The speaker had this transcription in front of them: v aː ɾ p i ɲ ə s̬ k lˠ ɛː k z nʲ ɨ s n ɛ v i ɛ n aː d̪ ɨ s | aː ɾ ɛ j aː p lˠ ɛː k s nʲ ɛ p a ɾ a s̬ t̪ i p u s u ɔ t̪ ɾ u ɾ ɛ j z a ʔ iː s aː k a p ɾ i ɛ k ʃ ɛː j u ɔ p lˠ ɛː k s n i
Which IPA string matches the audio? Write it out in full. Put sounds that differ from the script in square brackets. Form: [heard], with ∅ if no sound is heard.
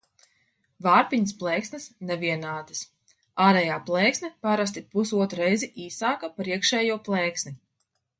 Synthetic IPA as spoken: v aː ɾ p i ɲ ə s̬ [p] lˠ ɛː k [s] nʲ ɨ s n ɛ v i ɛ n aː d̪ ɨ s | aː ɾ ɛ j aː p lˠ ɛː k s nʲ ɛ p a ɾ a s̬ t̪ i p u s u ɔ t̪ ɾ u ɾ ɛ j z [i] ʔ iː s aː k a p ɾ i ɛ k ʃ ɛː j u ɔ p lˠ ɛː k s n i

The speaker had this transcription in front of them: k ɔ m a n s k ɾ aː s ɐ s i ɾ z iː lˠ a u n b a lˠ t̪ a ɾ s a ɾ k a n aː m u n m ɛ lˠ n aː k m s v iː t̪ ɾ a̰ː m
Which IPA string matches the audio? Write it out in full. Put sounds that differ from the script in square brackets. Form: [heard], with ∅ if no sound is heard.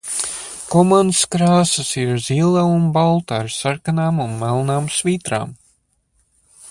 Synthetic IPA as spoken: k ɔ m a n s k ɾ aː s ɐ s i ɾ z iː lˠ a u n b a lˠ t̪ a ɾ s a ɾ k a n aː m u n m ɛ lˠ n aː [∅] m s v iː t̪ ɾ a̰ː m

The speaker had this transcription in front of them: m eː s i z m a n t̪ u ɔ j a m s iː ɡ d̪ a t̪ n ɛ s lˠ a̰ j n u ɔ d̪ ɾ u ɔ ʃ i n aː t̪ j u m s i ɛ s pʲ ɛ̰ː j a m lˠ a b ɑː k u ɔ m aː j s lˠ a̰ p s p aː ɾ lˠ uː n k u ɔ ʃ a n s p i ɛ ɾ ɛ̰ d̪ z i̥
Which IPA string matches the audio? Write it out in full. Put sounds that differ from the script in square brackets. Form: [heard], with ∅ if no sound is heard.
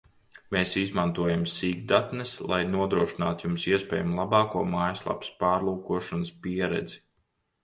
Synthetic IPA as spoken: m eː s i z m a n t̪ u ɔ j a m s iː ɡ d̪ a t̪ n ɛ s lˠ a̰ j n u ɔ d̪ ɾ u ɔ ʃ i n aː t̪ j u m s i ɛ s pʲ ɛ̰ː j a m lˠ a b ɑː k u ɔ m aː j s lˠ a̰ p s p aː ɾ lˠ uː [∅] k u ɔ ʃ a n s p i ɛ ɾ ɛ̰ d̪ z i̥

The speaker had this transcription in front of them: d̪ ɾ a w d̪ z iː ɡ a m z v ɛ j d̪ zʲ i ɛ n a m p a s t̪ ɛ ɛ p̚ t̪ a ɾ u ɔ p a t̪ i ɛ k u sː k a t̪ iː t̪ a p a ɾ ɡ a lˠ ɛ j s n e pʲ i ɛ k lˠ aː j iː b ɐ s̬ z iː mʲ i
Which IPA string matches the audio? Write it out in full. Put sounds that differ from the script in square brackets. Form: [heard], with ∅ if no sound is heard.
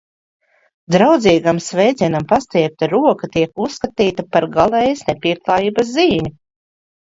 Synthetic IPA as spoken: d̪ ɾ a w d̪ z iː ɡ a m [s] v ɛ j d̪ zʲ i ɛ n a m p a s t̪ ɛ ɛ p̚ t̪ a ɾ u ɔ [k] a t̪ i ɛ k u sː k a t̪ iː t̪ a p a ɾ ɡ a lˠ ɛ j s n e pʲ i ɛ k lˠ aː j iː b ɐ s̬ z iː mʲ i

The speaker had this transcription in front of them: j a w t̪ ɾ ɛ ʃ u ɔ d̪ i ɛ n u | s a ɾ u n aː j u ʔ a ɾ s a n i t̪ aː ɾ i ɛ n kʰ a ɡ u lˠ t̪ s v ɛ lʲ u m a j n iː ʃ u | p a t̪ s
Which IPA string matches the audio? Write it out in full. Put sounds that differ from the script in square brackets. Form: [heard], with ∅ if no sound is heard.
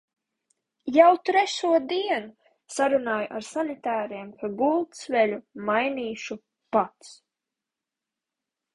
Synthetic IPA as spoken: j a w t̪ ɾ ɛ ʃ u ɔ d̪ i ɛ n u | s a ɾ u n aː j u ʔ a ɾ s a n i t̪ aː ɾ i ɛ [m] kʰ a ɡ u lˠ t̪ s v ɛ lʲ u m a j n iː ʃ u | p a t̪ s

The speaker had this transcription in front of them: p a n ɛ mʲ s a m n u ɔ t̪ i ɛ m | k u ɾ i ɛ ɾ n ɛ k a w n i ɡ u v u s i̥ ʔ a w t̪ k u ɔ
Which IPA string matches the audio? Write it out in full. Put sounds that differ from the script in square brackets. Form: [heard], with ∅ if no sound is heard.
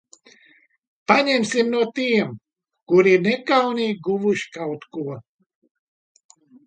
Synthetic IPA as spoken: p a [ɲ] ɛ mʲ s [i] m n u ɔ t̪ i ɛ m | k u ɾ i [i] ɾ n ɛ k a w n i ɡ u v u [ʃ] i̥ [k] a w t̪ k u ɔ

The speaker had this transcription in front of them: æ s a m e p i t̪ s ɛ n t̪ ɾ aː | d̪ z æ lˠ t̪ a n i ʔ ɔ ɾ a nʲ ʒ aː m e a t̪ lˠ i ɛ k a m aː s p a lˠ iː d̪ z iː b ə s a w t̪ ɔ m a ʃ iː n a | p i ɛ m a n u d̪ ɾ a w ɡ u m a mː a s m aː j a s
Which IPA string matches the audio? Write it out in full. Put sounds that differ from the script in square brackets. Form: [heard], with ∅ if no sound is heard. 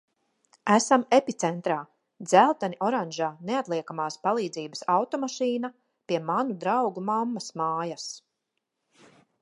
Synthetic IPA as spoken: æ s a m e p i t̪ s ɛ n t̪ ɾ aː | d̪ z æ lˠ t̪ a n i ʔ ɔ ɾ a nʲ ʒ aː [n] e a t̪ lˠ i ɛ k a m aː s p a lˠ iː d̪ z iː b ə s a w t̪ ɔ m a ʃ iː n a | p i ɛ m a n u d̪ ɾ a w ɡ u m a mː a s m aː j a s

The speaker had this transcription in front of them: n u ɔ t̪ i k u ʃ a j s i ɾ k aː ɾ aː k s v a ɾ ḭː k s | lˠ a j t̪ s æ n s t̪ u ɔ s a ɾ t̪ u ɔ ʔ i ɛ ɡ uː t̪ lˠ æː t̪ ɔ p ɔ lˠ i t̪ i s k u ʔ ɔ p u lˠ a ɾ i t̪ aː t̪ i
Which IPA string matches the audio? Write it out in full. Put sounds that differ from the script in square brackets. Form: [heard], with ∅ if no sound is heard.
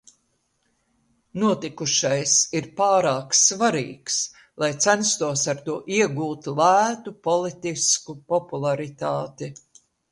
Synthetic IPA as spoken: n u ɔ t̪ i k u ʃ a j s i ɾ [p] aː ɾ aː k s v a ɾ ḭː k s | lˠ a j t̪ s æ n s t̪ u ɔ s a ɾ t̪ u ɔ ʔ i ɛ ɡ uː t̪ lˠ æː t̪ [u] p ɔ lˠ i t̪ i s k u [p] ɔ p u lˠ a ɾ i t̪ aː t̪ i

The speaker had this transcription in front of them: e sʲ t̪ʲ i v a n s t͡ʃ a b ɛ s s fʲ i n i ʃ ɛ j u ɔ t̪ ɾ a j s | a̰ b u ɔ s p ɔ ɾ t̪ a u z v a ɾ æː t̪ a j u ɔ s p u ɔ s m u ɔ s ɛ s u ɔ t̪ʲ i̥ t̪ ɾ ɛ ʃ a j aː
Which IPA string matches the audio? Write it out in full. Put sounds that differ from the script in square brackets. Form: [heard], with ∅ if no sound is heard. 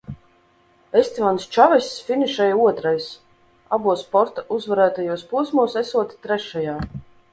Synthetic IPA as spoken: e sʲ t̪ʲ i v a n s t͡ʃ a [v] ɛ s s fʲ i n i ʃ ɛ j u ɔ t̪ ɾ a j s | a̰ b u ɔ s p ɔ ɾ t̪ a u z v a ɾ æː t̪ a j u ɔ s p u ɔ s m u ɔ s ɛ s u ɔ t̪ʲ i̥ t̪ ɾ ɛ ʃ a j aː

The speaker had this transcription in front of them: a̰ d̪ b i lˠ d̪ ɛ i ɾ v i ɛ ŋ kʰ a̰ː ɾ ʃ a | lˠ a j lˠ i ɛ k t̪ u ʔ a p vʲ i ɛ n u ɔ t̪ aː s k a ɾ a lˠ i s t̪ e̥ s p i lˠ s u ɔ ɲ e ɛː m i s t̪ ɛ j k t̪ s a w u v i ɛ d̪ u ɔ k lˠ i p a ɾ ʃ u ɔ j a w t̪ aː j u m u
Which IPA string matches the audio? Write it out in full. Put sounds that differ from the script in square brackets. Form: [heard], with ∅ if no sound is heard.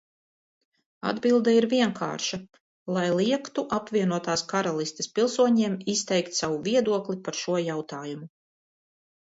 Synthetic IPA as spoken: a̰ d̪ b i lˠ d̪ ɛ i ɾ v i ɛ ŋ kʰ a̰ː ɾ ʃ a | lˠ a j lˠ i ɛ k t̪ u ʔ a p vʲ i ɛ n u ɔ t̪ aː s k a ɾ a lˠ i s t̪ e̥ s p i lˠ s u ɔ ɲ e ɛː m i s t̪ ɛ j k t̪ s a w u v i ɛ d̪ u ɔ k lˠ i p a ɾ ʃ u ɔ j a w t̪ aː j u m u

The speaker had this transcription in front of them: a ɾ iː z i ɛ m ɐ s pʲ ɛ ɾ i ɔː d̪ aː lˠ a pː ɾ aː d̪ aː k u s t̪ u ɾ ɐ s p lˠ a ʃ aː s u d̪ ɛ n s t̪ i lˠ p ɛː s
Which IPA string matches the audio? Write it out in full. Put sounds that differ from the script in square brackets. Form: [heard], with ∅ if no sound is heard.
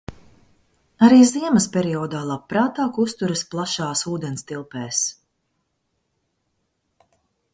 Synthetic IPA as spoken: a ɾ iː z i ɛ m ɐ s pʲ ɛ ɾ i ɔː d̪ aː lˠ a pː ɾ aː [t̪] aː k u s t̪ u ɾ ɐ s p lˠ a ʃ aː s [uː] d̪ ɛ n s t̪ i lˠ p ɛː s

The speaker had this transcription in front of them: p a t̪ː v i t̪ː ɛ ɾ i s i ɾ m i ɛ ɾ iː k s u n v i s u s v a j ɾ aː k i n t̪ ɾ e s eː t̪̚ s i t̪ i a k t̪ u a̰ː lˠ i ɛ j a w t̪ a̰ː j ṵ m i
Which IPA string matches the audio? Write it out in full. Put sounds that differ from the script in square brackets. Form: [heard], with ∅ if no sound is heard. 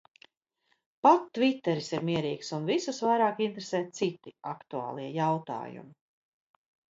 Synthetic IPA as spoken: p a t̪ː v i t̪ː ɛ ɾ i s i ɾ m i ɛ ɾ iː k s u n v i s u s v a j ɾ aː k i n t̪ ɾ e s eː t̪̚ s i t̪ i a k t̪ u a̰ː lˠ i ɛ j a w t̪ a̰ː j ṵ m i

